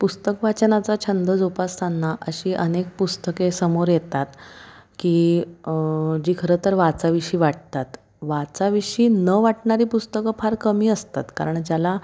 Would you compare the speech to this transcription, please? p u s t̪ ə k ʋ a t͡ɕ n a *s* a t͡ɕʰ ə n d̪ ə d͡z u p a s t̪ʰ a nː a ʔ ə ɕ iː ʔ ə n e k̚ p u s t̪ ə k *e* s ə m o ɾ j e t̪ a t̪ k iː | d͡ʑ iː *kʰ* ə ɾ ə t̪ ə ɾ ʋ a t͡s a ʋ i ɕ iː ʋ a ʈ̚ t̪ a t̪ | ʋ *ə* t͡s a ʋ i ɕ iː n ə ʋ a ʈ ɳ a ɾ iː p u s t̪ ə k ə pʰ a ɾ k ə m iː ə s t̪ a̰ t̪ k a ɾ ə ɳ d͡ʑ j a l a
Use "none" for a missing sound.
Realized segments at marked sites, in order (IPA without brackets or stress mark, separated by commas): t͡s, e, kʰ, a